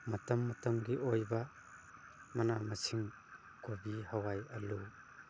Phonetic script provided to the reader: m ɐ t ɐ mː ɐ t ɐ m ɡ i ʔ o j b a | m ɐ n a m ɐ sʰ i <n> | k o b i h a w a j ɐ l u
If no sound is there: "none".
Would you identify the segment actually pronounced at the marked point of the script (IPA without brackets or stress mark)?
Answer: ŋ